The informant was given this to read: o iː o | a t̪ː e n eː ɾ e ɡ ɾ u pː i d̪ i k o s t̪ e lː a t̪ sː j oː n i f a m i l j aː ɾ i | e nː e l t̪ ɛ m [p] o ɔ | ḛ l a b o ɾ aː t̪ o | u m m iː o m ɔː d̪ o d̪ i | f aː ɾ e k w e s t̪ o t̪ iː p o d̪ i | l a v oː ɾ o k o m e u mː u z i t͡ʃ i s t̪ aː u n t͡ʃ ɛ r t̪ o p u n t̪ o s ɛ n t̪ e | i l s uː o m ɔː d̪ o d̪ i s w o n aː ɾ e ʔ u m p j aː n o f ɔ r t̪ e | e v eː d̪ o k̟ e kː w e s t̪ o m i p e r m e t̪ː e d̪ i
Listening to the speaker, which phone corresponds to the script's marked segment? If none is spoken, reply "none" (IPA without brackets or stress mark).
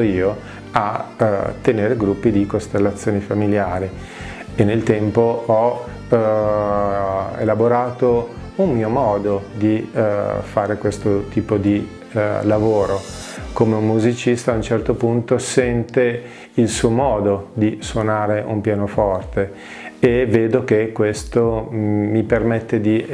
p